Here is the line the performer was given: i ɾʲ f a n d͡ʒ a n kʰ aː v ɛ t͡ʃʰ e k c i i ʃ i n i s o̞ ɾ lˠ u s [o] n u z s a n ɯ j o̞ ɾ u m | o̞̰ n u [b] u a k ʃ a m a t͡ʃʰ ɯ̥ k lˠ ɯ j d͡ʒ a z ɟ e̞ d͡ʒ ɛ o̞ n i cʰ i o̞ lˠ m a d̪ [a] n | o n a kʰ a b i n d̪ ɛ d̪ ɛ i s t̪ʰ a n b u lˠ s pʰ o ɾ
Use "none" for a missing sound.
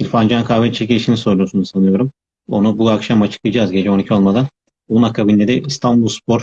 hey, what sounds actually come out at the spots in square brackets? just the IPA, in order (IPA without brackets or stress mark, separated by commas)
u, b, a